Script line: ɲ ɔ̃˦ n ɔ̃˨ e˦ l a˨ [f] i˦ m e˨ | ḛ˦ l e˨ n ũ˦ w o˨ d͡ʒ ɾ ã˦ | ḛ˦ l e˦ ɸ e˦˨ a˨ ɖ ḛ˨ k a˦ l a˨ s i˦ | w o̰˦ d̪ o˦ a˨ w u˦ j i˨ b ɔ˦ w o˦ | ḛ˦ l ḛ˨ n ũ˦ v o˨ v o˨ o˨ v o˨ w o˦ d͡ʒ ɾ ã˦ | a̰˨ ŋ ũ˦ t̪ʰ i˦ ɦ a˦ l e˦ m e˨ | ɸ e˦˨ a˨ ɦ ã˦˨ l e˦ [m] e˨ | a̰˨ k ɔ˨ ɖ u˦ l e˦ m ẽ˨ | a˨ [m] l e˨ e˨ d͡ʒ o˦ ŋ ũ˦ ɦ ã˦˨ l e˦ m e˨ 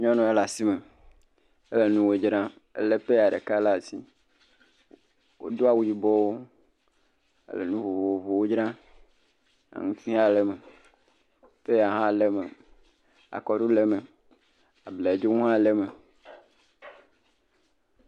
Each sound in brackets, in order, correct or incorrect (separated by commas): incorrect, correct, incorrect